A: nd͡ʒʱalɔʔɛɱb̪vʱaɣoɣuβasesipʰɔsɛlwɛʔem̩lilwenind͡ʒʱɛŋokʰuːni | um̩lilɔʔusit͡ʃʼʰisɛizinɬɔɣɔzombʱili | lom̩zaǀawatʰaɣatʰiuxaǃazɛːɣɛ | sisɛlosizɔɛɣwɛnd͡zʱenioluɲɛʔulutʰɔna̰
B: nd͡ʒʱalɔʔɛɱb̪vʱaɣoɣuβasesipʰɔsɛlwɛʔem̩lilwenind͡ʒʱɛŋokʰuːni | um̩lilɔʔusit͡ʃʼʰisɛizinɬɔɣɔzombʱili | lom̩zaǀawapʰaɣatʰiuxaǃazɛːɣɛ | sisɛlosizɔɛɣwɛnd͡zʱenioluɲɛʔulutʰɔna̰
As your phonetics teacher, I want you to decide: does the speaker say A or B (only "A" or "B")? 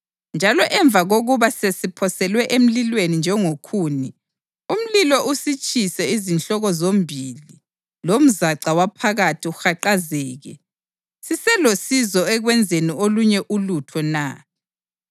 B